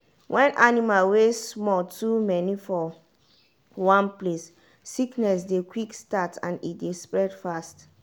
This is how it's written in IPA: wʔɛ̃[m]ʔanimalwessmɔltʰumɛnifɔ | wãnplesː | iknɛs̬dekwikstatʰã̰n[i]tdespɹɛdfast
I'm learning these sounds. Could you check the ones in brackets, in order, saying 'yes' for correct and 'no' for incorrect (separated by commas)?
no, yes